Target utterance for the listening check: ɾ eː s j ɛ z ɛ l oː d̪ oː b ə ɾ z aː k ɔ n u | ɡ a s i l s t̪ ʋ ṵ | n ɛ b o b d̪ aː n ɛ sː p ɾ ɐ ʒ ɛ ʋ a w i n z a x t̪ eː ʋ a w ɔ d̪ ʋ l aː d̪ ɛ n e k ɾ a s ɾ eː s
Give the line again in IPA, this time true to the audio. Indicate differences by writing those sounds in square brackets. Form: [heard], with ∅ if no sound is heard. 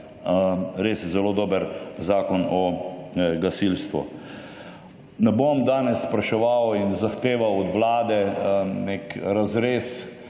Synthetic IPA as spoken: ɾ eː s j ɛ z ɛ l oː d̪ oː b ə ɾ z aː k ɔ n [ɔ] | ɡ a s i l s t̪ ʋ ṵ | n ɛ b o [m] d̪ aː n ɛ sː p ɾ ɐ [ʃ] ɛ ʋ a w i n z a x t̪ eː ʋ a w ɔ d̪ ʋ l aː d̪ ɛ n e k ɾ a [z] ɾ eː s